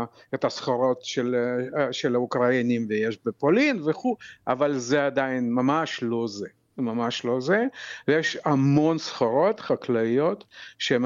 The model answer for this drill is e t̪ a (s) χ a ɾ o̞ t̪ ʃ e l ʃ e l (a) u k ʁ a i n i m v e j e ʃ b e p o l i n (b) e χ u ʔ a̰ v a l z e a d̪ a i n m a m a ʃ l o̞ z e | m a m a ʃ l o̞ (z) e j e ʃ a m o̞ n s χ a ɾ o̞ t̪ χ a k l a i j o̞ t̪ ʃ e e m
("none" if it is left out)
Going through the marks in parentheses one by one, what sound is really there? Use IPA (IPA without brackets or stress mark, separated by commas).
s, a, v, z